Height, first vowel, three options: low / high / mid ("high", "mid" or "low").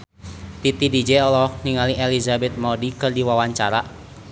high